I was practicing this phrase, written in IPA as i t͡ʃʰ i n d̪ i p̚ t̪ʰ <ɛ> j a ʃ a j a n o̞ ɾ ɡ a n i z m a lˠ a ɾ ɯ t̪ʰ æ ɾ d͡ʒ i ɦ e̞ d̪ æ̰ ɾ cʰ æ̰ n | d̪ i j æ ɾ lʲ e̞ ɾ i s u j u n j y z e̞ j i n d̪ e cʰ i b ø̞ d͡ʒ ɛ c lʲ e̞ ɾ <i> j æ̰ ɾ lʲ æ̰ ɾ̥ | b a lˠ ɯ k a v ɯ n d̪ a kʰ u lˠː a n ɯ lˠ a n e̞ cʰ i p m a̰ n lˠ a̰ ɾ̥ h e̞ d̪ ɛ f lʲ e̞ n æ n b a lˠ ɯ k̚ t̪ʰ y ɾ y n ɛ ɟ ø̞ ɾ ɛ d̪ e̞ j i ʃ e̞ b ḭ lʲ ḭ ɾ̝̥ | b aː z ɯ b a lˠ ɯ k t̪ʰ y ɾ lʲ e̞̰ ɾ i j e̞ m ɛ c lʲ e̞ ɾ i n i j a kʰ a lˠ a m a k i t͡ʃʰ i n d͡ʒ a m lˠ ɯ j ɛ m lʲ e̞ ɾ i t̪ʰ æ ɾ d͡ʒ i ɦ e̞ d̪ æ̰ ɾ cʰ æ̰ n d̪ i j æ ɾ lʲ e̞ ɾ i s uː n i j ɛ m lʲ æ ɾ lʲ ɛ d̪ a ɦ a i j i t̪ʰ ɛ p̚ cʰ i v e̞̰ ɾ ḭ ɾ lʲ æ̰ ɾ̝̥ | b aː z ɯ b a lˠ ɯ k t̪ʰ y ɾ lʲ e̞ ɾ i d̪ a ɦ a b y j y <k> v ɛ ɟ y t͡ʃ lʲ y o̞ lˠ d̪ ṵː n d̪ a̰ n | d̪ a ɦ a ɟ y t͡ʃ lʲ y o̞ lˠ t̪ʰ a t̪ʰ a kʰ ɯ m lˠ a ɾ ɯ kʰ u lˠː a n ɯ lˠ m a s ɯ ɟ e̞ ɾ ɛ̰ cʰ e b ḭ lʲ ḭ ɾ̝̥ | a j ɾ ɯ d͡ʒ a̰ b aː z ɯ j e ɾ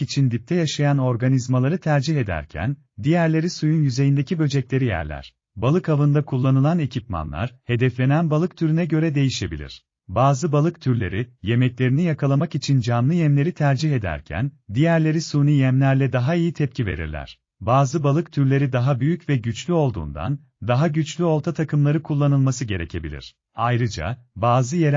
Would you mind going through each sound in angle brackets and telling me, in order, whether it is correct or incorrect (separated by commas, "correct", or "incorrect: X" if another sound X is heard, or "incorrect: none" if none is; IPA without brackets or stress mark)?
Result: correct, correct, incorrect: c